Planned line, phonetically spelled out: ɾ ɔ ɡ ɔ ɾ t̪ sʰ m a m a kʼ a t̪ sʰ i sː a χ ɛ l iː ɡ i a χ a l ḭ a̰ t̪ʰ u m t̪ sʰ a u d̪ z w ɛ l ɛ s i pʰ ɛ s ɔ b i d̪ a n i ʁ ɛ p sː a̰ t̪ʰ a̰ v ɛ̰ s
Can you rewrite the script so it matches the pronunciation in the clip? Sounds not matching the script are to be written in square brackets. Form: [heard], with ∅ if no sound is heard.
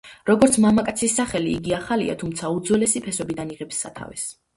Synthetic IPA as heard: ɾ ɔ ɡ ɔ ɾ t̪ sʰ m a m a kʼ a t̪ sʰ i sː a χ ɛ l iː ɡ i a χ a l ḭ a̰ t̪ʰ u m t̪ sʰ a u d̪ z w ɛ l ɛ s i pʰ ɛ s ɔ b i d̪ a n i ʁ ɛ p sː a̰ t̪ʰ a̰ v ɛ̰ s